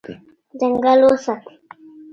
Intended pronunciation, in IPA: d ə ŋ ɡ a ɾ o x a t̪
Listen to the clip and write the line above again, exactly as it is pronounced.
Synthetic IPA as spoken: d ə ŋ ɡ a l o s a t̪

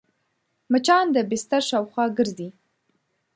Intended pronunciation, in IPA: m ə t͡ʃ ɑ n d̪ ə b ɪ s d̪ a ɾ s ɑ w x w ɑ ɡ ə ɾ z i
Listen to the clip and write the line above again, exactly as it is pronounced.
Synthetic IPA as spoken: m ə t͡ʃ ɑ n d̪ ə b ɪ s t̪ a ɾ ʃ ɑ w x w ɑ ɡ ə ɾ z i

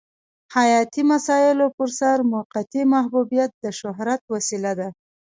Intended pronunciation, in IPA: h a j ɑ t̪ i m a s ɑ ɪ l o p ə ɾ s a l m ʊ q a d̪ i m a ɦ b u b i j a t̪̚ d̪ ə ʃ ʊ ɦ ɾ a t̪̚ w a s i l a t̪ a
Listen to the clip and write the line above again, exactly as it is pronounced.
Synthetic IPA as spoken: h a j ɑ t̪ i m a s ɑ ɪ l o p ə ɾ s a ɾ m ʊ q a t̪ i m a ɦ b u b i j a t̪̚ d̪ ə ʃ ʊ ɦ ɾ a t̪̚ w a s i l a d̪ a

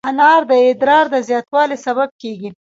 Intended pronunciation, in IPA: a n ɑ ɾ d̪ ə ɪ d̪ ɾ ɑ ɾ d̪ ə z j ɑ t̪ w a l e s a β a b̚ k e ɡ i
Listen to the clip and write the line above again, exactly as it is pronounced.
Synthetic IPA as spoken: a n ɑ ɾ d̪ ə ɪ d̪ ɾ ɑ ɾ d̪ ə z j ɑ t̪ w ɑ l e s a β a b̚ k e ɡ i

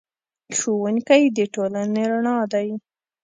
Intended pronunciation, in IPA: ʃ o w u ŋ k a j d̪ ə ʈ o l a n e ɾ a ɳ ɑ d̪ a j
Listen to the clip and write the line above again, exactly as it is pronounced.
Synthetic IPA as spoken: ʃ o w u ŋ k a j d̪ ə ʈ o l a n e ɾ a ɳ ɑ d̪ a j

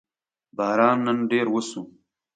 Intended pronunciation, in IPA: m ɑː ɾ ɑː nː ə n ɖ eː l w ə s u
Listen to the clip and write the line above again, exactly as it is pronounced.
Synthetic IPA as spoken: b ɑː ɾ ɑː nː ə n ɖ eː ɾ w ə s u

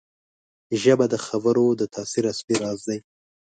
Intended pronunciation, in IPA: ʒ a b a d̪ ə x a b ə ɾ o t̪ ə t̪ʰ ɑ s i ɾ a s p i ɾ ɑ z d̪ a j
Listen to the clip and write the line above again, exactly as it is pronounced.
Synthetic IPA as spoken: ʒ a b a d̪ ə x a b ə ɾ o d̪ ə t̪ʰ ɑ s i ɾ a s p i ɾ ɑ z d̪ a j

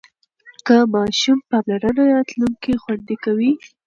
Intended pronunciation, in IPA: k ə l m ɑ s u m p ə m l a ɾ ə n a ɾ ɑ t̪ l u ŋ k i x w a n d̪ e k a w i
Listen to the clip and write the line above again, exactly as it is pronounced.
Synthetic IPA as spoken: k ə m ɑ ʃ u m p ɑ m l a ɾ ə n a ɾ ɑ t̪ l u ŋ k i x w a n d̪ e k a w i

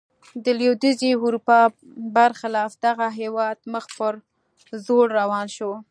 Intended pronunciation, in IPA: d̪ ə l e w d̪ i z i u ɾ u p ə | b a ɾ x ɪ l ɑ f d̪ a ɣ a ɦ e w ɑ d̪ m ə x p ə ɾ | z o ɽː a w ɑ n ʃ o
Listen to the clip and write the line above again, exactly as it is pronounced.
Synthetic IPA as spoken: d̪ ə l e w d̪ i z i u ɾ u p ɑ | b a ɾ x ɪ l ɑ f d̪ a ɣ a ɦ e w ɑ d̪ m ə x p ə ɾ | z o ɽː a w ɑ n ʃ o

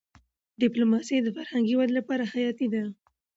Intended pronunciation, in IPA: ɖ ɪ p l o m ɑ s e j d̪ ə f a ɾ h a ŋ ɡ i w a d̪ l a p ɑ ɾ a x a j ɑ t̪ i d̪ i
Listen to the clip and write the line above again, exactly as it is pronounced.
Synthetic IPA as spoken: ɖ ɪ p l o m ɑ s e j d̪ ə f a ɾ h a ŋ ɡ i w a d̪ l a p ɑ ɾ a x a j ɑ t̪ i d̪ a

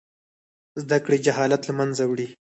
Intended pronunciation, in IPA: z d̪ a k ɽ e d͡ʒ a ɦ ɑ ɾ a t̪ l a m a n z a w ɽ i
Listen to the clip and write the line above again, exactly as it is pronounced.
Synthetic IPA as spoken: z d̪ a k ɽ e d͡ʒ a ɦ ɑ l a t̪ l a m a n z a w ɽ i

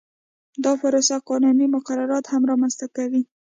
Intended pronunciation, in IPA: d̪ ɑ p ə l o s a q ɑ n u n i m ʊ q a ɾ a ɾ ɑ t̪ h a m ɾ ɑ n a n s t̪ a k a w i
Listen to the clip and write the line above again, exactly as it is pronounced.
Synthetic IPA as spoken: d̪ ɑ p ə ɾ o s a q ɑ n u n i m ʊ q a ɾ a ɾ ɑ t̪ h a m ɾ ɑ m a n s t̪ a k a w i

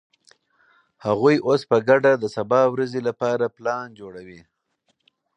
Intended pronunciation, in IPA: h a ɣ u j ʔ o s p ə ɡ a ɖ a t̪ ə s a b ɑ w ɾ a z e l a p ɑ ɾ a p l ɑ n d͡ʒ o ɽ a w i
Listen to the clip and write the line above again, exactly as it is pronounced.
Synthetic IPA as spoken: h a ɣ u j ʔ o s p ə ɡ a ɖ a d̪ ə s a b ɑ w ɾ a z e l a p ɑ ɾ a p l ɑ n d͡ʒ o ɽ a w i

